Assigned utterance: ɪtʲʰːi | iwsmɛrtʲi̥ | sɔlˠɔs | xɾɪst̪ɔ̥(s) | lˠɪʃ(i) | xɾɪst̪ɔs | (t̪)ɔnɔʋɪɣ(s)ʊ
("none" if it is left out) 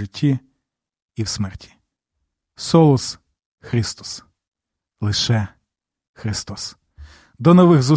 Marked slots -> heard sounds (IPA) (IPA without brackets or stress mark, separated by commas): s, ɛ, d̪, z